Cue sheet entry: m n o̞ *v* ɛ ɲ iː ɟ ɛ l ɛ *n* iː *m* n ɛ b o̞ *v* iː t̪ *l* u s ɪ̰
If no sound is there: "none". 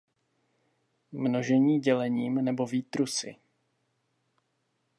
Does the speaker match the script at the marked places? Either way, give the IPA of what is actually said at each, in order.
ʒ, ɲ, m, v, ɾ

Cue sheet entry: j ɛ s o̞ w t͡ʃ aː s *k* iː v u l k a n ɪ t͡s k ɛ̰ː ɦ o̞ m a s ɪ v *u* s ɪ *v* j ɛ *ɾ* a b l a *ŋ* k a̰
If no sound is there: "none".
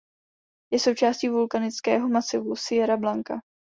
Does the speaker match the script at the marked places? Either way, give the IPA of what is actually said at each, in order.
c, u, none, ɾ, ŋ

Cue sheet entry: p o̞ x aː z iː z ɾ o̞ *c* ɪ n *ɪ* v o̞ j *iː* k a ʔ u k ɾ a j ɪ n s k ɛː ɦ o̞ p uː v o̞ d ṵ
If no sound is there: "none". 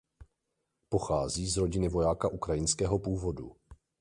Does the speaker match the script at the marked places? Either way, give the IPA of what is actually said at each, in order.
ɟ, ɪ, aː

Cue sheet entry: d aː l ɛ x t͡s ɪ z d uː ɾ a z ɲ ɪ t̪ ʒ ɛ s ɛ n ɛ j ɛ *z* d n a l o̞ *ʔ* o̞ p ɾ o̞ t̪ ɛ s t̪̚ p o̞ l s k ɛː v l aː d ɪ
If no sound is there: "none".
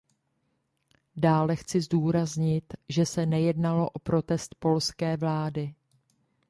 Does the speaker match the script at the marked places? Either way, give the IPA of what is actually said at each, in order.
none, ʔ

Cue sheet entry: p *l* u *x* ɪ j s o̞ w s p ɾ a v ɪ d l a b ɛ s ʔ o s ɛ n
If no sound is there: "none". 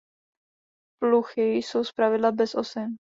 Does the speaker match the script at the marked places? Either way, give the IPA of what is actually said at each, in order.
l, x

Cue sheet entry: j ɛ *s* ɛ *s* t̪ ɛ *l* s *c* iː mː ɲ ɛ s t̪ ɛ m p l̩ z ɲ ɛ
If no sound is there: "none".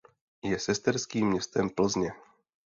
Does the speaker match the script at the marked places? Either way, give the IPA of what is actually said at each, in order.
s, s, ɾ, k

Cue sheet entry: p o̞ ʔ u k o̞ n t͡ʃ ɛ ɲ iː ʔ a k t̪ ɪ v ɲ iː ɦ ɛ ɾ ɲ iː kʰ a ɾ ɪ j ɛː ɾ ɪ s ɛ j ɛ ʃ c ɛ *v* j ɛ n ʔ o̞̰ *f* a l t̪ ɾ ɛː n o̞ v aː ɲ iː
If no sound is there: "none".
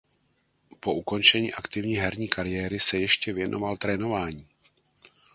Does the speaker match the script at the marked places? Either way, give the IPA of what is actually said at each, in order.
v, v

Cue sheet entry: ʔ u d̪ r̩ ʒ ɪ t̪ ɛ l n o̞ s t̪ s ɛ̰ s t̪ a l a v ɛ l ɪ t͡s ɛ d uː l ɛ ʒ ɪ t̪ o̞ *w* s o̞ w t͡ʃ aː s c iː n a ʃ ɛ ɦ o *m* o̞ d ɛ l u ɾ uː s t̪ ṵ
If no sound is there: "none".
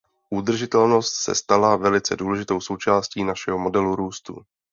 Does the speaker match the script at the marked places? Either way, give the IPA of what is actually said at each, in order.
w, m

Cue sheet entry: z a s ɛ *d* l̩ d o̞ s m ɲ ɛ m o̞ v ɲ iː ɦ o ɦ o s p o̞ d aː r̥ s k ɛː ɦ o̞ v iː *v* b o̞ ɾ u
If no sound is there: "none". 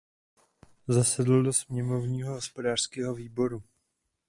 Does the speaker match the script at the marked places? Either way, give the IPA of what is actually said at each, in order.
d, none

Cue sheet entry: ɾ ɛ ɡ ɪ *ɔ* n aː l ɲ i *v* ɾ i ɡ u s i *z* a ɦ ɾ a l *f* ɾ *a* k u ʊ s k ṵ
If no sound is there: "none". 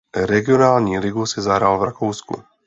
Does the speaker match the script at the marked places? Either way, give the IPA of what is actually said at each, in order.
ɔ, none, z, v, a

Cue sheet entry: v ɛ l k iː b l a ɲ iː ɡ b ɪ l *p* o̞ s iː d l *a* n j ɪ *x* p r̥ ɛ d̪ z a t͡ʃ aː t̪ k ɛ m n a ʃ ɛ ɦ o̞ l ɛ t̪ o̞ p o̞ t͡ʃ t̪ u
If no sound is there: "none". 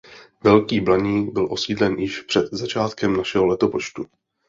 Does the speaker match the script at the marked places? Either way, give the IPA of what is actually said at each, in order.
ʔ, ɛ, ʃ

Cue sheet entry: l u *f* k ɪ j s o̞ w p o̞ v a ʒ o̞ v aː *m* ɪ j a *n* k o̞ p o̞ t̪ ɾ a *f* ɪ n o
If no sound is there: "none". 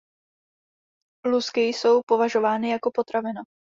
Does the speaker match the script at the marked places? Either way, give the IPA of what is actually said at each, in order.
s, n, none, v

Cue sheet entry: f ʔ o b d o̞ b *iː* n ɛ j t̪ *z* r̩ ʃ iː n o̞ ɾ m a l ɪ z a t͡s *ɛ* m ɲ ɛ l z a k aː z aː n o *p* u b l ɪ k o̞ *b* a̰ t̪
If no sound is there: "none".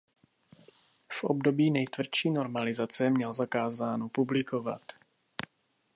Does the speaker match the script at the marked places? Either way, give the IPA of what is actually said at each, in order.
iː, v, ɛ, p, v

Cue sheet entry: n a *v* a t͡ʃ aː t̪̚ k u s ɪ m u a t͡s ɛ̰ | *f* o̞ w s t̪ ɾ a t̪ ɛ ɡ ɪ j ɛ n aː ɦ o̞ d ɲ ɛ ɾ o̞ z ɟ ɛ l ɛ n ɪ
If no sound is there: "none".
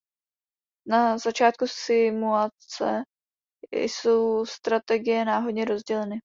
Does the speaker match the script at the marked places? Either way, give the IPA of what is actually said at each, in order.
z, s

